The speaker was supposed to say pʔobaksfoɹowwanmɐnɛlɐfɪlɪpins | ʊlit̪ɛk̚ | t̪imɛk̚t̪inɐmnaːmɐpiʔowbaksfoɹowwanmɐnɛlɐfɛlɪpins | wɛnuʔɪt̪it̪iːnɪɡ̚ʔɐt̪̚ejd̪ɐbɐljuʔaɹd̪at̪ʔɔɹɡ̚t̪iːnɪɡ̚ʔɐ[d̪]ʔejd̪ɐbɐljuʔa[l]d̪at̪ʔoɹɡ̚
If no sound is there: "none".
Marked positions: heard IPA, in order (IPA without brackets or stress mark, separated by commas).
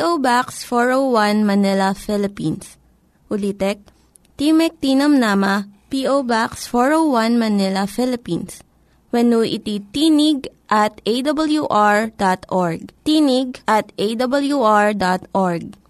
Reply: t̪, ɹ